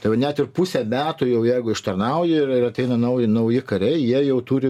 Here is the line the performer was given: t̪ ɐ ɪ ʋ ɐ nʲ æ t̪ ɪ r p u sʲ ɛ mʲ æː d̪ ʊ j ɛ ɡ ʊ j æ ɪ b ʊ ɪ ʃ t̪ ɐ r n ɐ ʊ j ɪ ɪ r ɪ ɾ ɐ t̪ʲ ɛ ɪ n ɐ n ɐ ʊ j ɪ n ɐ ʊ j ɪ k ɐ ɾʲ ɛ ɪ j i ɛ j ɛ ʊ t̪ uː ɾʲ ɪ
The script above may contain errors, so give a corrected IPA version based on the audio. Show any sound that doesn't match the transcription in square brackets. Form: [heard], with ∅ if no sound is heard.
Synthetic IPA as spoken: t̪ ɐ ɪ ʋ ɐ nʲ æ t̪ ɪ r p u sʲ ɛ mʲ æː [t̪] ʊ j ɛ [∅] ʊ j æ ɪ [ɡ] ʊ ɪ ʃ t̪ ɐ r n ɐ ʊ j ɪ ɪ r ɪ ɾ ɐ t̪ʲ ɛ ɪ n ɐ n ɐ ʊ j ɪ n ɐ ʊ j ɪ k ɐ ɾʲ ɛ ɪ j i ɛ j ɛ ʊ t̪ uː ɾʲ ɪ